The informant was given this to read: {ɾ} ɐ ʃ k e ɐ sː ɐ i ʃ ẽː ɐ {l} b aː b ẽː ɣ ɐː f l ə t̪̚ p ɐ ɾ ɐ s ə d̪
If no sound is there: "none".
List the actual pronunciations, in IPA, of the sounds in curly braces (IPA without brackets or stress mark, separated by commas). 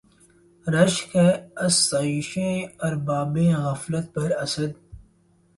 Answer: ɾ, ɾ